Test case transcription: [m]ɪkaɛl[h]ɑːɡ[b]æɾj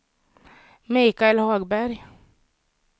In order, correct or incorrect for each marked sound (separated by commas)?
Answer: correct, correct, correct